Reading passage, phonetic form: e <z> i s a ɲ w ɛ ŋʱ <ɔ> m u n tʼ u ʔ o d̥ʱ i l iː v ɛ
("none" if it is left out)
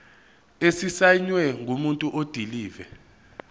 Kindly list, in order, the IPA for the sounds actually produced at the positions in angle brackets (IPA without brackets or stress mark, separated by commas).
s, u